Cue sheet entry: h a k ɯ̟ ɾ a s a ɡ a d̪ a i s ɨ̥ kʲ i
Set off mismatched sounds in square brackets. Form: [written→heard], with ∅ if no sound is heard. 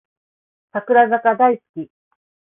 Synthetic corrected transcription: [h→s] a k ɯ̟ ɾ a [s→z] a [ɡ→k] a d̪ a i s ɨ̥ kʲ i